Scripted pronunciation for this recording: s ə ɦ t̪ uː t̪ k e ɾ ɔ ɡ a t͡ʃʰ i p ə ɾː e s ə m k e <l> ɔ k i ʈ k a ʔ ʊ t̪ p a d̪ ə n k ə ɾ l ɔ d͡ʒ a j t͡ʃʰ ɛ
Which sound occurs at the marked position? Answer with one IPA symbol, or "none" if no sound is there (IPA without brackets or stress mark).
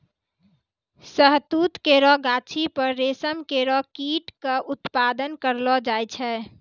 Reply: ɾ